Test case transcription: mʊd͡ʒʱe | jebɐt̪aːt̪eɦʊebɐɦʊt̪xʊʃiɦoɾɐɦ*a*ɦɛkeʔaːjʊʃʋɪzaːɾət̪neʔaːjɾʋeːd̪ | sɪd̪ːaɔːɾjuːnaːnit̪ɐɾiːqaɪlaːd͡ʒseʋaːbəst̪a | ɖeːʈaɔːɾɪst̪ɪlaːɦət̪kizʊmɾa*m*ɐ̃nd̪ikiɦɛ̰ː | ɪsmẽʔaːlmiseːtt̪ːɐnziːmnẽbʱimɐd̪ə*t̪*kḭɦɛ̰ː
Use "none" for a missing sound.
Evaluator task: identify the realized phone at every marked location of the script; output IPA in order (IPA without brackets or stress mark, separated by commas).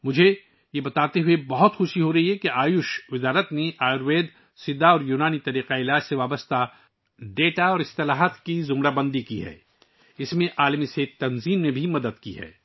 i, b, d̪